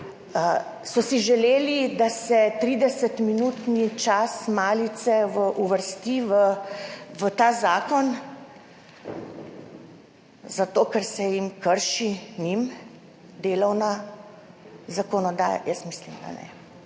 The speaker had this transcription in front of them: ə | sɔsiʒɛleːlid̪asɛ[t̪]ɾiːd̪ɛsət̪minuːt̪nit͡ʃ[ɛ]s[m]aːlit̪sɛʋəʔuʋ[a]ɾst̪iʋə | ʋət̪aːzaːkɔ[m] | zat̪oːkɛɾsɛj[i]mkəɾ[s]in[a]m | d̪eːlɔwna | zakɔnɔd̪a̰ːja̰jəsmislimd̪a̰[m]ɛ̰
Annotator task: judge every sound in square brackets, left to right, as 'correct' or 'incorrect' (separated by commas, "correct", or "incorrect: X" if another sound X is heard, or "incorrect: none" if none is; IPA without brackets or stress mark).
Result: correct, incorrect: a, correct, incorrect: ə, incorrect: n, correct, incorrect: ʃ, incorrect: i, incorrect: n